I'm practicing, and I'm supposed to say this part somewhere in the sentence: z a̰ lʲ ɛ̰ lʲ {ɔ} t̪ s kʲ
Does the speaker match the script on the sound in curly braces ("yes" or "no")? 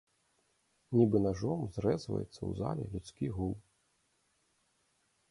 no